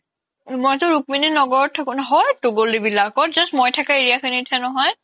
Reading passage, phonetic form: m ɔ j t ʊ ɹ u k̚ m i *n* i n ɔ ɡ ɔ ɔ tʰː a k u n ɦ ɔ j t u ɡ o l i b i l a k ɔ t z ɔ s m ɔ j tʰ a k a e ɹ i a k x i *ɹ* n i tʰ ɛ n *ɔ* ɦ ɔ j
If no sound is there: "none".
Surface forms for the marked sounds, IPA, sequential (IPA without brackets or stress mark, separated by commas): n, none, ɔ